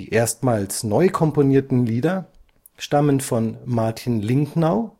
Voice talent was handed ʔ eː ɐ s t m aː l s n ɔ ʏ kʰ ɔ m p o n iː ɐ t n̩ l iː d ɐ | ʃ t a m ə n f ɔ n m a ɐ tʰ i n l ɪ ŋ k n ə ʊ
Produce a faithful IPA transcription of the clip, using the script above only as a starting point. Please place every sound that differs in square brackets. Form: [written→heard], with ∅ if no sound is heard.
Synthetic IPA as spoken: ʔ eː ɐ s t m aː l s n ɔ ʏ kʰ ɔ m p o n iː ɐ t n̩ l iː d ɐ | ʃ t a m ə n f ɔ n m a ɐ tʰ i n l ɪ ŋ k n [ə→a] ʊ